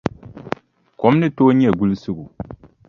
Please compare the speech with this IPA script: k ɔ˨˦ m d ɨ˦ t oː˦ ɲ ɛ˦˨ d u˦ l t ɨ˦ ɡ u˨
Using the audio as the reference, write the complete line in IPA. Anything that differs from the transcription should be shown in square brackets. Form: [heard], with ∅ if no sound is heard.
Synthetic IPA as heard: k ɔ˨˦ m [n] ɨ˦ t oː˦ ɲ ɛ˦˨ [ɡ] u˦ l [s] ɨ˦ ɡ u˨